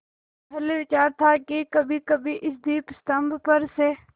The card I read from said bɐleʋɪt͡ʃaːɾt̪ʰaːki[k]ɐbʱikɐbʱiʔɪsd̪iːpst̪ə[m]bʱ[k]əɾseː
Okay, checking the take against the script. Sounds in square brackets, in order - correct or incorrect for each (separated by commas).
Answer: correct, correct, incorrect